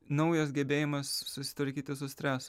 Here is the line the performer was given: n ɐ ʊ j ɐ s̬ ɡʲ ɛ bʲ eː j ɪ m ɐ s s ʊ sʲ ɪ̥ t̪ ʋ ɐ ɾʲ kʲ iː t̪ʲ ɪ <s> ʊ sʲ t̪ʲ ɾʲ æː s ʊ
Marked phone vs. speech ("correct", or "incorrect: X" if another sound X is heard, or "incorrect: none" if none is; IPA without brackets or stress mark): correct